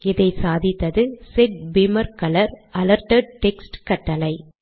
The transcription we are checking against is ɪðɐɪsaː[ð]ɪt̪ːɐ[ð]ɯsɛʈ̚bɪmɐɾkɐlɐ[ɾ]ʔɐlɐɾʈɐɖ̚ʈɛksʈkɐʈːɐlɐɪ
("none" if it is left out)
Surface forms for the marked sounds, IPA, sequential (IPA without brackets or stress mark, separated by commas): ð, ð, ɾ